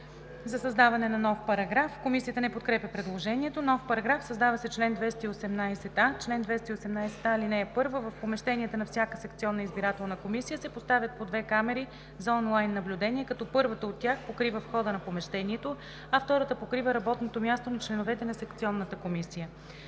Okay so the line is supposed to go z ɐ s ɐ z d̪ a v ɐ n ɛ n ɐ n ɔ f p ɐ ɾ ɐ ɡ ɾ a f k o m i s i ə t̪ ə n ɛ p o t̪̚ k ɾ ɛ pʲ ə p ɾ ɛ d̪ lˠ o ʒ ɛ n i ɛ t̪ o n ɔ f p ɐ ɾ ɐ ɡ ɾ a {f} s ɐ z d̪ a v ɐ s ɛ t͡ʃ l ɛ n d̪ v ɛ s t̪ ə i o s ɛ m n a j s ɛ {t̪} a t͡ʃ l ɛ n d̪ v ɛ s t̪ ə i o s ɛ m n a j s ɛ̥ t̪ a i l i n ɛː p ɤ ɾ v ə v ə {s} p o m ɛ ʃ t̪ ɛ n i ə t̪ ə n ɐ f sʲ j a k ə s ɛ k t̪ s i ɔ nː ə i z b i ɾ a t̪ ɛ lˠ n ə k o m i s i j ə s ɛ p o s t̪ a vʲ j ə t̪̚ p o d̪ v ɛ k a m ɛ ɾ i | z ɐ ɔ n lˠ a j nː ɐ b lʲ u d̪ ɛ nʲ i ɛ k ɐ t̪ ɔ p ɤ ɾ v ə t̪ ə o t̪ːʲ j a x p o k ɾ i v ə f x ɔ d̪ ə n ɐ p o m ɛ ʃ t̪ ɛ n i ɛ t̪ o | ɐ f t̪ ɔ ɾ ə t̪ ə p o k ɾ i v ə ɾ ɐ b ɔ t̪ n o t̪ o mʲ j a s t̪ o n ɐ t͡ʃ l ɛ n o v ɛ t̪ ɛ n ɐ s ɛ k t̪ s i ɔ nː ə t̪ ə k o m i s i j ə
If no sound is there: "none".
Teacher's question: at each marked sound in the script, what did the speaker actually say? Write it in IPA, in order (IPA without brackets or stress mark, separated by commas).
f, t̪, f